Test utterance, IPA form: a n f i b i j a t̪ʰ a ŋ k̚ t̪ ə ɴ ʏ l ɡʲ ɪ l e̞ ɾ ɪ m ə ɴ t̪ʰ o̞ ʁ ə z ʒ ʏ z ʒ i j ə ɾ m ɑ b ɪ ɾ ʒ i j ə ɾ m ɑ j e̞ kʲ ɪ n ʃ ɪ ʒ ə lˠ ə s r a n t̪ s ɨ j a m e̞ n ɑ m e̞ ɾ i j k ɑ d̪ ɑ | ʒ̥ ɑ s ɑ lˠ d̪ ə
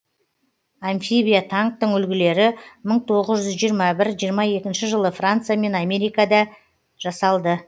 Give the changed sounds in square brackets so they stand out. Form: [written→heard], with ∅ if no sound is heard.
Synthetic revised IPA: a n f i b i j a t̪ʰ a ŋ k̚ t̪ ə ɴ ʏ l ɡʲ ɪ l e̞ ɾ ɪ m ə ɴ t̪ʰ o̞ ʁ ə z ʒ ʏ z ʒ i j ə ɾ m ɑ b ɪ ɾ ʒ i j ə ɾ m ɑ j e̞ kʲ ɪ n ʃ ɪ ʒ ə lˠ ə [s→f] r a n t̪ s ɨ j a m e̞ n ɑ m e̞ ɾ i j k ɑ d̪ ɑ | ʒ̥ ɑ s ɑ lˠ d̪ ə